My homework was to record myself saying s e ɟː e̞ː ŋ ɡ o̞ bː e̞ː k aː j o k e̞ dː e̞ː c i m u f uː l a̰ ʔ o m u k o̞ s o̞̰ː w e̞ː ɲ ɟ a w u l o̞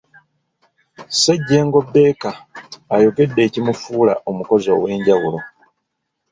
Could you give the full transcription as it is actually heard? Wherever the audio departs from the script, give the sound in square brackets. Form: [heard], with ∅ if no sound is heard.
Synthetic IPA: s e ɟː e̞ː ŋ ɡ o̞ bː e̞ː k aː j o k e̞ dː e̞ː c i m u f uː l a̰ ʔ o m u k o̞ [z] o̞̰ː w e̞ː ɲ ɟ a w u l o̞